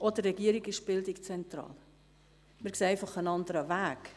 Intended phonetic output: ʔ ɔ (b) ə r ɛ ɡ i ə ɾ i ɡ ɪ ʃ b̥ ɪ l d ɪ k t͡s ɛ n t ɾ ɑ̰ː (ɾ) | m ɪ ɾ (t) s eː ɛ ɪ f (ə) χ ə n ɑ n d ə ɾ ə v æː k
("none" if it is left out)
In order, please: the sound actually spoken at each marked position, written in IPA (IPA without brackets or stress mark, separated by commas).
d, l, k, ɑ